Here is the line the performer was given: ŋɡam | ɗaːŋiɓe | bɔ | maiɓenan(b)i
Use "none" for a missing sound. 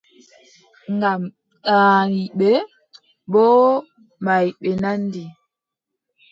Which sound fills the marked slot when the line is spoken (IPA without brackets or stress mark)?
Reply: d